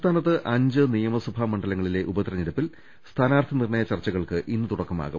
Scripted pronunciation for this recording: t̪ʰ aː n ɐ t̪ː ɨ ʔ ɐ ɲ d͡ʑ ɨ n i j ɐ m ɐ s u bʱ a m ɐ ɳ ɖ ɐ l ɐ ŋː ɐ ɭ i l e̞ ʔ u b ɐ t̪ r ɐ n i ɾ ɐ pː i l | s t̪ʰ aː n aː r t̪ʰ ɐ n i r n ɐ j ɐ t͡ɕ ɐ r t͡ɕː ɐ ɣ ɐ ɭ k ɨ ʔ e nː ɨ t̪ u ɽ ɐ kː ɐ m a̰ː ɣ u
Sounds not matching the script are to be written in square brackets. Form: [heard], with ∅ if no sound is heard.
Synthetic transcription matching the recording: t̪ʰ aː n ɐ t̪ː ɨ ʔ ɐ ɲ d͡ʑ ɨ n i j ɐ m ɐ s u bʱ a m ɐ ɳ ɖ ɐ l ɐ ŋː ɐ ɭ i l e̞ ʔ u b ɐ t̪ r ɐ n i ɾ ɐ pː i l | s t̪ʰ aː n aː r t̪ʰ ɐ n i r [ɳ] ɐ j ɐ t͡ɕ ɐ r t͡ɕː ɐ ɣ ɐ ɭ k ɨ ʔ [i] nː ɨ t̪ u ɽ ɐ kː ɐ m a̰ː ɣ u